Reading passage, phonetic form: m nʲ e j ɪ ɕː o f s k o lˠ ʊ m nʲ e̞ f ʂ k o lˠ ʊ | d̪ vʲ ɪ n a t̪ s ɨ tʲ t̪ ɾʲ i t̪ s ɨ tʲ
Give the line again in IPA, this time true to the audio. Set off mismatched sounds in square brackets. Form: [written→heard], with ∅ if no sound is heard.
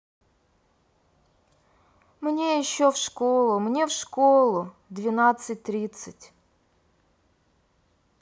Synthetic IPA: m nʲ e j ɪ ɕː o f [s→ʂ] k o lˠ ʊ m nʲ e̞ f ʂ k o lˠ ʊ | d̪ vʲ ɪ n a t̪ s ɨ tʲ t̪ ɾʲ i t̪ s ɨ tʲ